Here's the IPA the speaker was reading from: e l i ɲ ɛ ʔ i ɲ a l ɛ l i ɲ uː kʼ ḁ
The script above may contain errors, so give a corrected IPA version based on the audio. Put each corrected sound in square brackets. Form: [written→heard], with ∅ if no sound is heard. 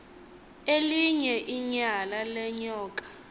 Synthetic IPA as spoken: e l i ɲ ɛ ʔ i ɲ a l [ɛ→a] l [i→ɛ] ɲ [uː→ɔː] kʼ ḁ